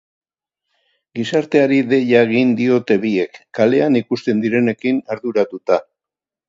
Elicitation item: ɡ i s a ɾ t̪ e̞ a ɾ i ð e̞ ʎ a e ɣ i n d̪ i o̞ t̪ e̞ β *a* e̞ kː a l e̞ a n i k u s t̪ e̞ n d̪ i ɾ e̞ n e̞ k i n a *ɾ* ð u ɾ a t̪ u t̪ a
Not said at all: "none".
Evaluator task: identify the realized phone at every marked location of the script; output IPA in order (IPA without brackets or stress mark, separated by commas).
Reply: i, ɾ